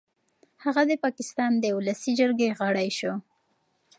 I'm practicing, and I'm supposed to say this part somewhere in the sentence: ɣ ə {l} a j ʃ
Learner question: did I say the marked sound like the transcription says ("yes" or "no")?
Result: no